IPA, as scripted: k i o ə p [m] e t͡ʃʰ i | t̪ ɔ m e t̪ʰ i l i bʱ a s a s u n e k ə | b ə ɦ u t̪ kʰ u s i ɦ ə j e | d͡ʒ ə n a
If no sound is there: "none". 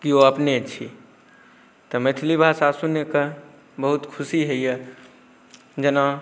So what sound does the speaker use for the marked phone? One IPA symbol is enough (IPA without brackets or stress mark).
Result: n